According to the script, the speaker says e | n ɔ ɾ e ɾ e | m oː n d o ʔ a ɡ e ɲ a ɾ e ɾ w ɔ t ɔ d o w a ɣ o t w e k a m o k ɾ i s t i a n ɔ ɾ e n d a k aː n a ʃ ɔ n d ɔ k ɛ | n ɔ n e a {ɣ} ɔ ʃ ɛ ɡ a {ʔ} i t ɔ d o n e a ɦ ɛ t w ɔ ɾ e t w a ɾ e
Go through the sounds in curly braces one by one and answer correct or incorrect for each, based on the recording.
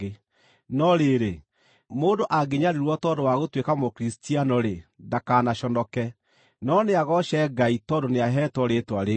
correct, incorrect: none

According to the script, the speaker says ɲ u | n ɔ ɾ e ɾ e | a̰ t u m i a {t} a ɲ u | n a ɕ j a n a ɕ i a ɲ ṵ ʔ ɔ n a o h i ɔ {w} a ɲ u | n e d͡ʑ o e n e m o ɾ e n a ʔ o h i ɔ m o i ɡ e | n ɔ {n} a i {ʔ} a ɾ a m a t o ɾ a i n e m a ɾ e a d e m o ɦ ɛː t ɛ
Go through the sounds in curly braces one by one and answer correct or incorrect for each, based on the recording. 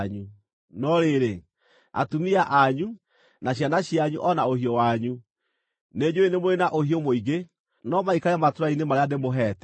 incorrect: ʔ, correct, incorrect: m, incorrect: k

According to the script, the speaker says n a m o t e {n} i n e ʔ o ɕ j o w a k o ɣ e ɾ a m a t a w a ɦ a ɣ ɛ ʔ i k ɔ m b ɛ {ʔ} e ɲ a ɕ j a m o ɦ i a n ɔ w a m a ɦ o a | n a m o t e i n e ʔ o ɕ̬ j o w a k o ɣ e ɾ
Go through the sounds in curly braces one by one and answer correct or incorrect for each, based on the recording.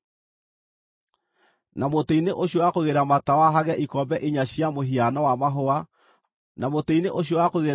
incorrect: none, correct

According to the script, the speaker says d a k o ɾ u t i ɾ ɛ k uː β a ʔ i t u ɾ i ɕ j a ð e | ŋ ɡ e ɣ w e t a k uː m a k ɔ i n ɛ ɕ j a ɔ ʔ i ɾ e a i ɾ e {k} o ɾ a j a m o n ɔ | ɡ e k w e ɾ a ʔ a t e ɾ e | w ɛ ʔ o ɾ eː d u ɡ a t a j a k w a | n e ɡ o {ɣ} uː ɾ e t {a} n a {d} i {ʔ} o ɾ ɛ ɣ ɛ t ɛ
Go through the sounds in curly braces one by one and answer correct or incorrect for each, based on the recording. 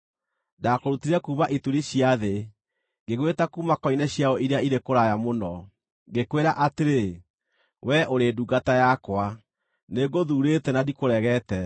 correct, incorrect: ð, incorrect: ɛ, correct, incorrect: k

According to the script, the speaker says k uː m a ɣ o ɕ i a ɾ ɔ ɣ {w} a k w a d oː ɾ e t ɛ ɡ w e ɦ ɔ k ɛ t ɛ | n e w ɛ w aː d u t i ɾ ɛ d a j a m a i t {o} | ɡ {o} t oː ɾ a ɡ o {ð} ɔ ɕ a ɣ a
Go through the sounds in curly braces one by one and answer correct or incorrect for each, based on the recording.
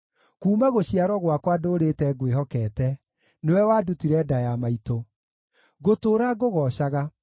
correct, correct, correct, incorrect: ɣ

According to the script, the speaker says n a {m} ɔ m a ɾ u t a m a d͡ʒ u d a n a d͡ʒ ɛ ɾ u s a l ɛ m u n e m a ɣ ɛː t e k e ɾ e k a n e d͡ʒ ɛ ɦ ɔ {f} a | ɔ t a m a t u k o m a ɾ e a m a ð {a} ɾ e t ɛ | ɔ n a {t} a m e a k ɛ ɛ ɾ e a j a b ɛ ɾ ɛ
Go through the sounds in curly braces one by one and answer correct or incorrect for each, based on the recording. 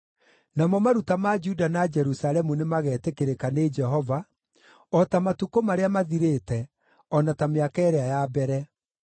correct, incorrect: v, incorrect: i, correct

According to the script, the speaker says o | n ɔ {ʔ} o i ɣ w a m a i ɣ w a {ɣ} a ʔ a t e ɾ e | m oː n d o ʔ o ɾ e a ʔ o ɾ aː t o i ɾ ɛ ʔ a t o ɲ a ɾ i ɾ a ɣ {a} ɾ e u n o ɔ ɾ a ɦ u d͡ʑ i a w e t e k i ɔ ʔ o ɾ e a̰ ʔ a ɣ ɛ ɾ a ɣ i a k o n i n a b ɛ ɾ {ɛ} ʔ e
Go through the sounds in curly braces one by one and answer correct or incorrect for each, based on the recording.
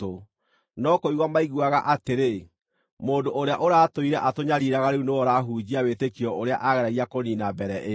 incorrect: k, correct, correct, correct

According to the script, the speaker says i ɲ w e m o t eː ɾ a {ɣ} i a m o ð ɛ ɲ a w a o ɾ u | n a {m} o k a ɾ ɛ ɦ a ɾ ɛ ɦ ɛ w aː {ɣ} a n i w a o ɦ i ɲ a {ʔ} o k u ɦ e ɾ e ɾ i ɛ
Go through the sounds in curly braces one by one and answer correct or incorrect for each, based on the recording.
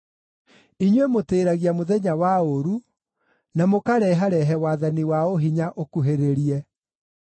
correct, correct, incorrect: ð, correct

